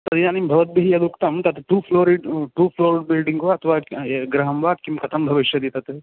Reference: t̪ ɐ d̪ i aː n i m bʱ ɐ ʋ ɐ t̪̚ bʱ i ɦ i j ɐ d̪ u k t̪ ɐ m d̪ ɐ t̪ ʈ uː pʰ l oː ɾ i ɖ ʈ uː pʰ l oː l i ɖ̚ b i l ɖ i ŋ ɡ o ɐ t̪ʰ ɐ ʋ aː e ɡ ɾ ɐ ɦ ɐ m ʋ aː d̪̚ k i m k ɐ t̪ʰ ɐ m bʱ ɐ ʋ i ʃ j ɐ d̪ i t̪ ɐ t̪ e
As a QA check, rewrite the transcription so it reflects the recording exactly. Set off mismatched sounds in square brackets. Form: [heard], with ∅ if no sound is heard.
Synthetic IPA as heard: t̪ ɐ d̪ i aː n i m bʱ ɐ ʋ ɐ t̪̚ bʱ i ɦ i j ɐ d̪ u k t̪ ɐ m [t̪] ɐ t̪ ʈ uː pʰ l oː ɾ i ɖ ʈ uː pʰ l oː [ɾ] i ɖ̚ b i l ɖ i ŋ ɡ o ɐ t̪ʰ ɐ ʋ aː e ɡ ɾ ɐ ɦ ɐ m ʋ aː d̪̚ k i m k ɐ t̪ʰ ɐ m bʱ ɐ ʋ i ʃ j ɐ d̪ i t̪ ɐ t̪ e